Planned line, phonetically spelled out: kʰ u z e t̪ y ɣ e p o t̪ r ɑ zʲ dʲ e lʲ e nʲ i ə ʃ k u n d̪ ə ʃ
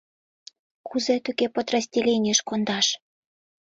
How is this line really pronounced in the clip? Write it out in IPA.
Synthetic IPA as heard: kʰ u z e t̪ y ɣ e p o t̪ r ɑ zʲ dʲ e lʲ e nʲ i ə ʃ k o n d̪ ɑ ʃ